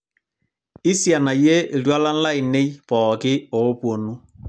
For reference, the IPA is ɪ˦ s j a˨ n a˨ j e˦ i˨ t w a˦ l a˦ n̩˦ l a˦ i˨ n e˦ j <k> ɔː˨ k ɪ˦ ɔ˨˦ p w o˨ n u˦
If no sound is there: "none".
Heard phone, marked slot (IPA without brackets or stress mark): p